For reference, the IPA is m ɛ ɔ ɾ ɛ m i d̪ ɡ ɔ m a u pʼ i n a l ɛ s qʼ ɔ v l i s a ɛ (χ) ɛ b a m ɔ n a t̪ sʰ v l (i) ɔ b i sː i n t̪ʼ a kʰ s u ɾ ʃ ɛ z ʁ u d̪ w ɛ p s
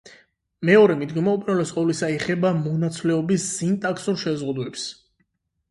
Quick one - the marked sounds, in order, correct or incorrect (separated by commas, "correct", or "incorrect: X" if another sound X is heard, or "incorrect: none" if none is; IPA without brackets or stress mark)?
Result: correct, incorrect: ɛ